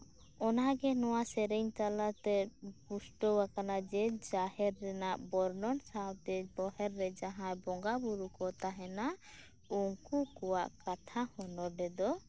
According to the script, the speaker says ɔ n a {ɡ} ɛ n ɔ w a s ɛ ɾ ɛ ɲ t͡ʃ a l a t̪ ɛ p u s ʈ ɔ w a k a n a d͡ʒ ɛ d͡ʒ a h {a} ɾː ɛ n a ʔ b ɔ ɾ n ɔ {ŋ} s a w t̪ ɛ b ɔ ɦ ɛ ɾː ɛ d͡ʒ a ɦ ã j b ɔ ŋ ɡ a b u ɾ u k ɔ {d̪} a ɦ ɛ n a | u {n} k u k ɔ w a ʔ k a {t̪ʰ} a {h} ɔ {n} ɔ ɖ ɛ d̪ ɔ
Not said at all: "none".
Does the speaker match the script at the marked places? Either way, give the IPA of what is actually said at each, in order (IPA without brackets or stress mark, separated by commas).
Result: ɡ, ɛ, n, t̪, ŋ, t̪ʰ, h, n